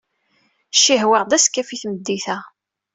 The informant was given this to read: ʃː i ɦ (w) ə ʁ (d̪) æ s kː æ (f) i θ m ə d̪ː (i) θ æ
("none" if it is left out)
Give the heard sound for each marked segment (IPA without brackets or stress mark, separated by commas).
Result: w, d̪, f, i